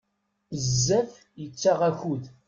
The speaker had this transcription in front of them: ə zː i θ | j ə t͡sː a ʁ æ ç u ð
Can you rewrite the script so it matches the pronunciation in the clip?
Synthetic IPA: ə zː æ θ | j ə t͡sː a ʁ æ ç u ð